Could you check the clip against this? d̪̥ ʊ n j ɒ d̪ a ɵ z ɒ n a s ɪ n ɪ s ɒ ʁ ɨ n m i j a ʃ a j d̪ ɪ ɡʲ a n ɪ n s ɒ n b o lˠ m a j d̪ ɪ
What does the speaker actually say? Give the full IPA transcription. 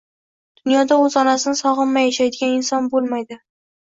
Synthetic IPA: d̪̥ ʊ n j ɒ d̪ a ɵ z ɒ n a s ɪ n ɪ s ɒ ʁ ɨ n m a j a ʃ a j d̪ ɪ ɡʲ a n ɪ n s ɒ n b o lˠ m a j d̪ ɪ